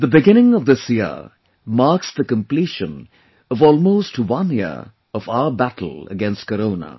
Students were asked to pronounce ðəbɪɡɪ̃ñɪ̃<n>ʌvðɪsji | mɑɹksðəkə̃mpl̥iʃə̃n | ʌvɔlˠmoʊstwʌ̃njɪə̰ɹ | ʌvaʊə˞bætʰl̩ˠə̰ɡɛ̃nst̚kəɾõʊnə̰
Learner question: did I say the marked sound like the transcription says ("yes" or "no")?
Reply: no